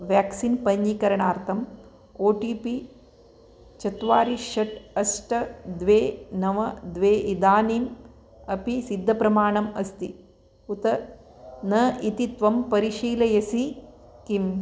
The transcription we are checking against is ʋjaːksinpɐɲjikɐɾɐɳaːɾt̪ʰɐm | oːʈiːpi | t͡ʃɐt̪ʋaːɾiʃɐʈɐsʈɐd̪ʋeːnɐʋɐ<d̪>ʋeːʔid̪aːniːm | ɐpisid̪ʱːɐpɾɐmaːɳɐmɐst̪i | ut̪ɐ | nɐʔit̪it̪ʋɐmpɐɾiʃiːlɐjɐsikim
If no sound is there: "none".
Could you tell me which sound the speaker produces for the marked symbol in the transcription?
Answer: d̪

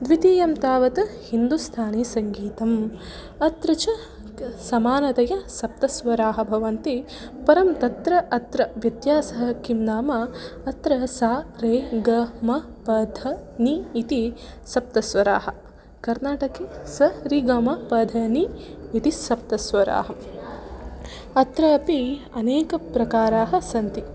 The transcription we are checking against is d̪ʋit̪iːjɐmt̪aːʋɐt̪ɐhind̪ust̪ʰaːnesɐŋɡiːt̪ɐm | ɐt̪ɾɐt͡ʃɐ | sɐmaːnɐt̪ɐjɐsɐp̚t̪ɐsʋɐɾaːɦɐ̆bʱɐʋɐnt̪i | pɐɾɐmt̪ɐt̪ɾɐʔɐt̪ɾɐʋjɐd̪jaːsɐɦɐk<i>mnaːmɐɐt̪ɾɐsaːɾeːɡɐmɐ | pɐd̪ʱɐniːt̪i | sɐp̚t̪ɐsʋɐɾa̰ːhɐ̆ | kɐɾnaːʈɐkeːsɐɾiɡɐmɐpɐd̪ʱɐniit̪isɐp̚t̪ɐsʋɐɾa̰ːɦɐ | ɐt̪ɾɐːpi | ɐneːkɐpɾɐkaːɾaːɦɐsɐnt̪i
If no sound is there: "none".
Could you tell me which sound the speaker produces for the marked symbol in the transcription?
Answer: i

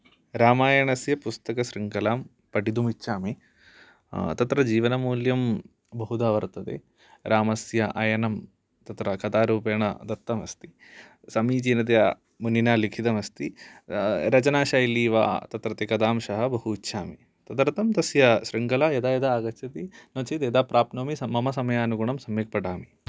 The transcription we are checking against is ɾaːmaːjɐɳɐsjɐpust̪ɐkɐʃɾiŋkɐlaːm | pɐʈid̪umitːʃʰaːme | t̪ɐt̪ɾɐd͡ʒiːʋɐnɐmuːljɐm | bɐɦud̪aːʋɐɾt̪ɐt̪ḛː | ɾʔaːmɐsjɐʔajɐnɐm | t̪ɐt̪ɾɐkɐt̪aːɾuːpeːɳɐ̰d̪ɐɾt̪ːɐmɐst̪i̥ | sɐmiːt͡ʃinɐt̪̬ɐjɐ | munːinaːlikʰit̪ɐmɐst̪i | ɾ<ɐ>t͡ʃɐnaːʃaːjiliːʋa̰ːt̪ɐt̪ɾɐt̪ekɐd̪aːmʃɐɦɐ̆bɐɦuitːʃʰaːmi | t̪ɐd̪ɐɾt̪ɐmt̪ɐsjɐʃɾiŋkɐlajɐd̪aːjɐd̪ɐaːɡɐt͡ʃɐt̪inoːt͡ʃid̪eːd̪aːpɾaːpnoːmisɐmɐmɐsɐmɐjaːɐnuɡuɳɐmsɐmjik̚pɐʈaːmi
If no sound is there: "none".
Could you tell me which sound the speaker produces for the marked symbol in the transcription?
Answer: ɐ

